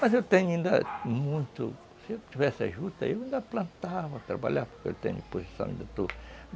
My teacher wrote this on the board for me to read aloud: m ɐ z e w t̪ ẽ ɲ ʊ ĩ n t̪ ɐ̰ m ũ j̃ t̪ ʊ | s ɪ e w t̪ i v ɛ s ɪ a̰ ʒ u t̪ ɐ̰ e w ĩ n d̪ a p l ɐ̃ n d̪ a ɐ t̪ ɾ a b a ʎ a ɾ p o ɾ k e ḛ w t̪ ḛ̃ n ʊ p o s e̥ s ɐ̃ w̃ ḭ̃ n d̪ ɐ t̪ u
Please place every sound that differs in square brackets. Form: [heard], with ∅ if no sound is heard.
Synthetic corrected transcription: m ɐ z e w t̪ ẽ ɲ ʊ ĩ n [d̪] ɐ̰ m ũ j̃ t̪ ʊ | s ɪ e w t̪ i v ɛ s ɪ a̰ ʒ u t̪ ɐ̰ e w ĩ n d̪ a p l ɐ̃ n [t̪] a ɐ t̪ ɾ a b a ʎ a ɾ p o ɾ k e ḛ w t̪ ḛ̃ [ɲ] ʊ p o s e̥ s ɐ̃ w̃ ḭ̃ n d̪ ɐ t̪ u